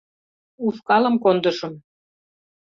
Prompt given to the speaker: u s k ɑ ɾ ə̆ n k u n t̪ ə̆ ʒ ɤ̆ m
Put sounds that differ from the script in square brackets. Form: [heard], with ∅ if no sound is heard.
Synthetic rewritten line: u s k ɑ [l] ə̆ [m] k [o] n [d̪] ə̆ [ʃ] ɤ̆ m